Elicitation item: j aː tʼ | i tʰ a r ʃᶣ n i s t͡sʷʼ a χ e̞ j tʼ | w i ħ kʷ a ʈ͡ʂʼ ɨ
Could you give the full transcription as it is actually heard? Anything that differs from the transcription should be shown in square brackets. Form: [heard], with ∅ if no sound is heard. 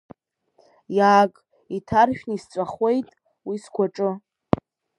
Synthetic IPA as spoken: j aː [kʼ] | i tʰ a r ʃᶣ n i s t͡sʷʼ a χ e̞ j tʼ | w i [s] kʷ a ʈ͡ʂʼ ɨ